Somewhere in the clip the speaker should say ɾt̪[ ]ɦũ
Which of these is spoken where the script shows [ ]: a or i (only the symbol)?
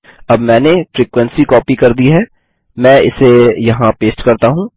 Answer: a